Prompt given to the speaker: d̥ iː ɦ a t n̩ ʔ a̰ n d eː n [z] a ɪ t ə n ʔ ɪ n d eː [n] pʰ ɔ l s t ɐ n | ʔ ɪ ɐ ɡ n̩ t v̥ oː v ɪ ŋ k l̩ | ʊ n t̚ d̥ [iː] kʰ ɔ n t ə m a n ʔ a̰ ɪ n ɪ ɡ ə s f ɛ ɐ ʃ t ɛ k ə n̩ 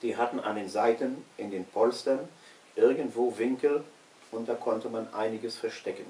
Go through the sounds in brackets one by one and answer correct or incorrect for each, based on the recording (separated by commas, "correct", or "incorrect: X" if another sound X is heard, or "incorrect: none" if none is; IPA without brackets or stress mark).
correct, correct, incorrect: aː